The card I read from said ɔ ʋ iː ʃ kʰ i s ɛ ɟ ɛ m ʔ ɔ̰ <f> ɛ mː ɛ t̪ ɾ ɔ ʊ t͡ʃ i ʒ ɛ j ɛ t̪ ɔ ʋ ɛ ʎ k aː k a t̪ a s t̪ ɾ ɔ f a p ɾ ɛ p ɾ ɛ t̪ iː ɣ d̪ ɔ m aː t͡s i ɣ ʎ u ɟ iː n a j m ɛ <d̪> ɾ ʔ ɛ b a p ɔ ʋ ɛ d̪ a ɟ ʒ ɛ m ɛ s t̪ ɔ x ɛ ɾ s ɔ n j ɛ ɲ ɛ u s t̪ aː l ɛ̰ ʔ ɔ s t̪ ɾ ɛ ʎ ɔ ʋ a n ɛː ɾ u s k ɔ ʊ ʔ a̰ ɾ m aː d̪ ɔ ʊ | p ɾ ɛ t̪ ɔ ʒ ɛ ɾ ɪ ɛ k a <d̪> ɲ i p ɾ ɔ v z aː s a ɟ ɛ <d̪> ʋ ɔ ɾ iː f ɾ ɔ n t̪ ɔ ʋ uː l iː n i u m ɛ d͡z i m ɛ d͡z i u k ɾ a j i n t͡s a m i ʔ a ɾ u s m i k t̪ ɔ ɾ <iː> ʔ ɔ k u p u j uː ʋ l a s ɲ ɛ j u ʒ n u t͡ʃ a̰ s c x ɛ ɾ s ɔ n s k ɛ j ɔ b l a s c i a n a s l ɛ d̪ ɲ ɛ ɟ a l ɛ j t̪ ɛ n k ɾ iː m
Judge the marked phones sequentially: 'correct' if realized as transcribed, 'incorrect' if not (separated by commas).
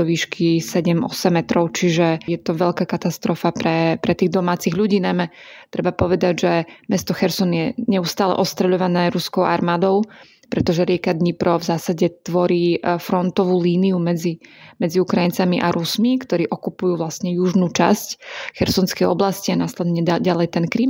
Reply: incorrect, incorrect, correct, incorrect, correct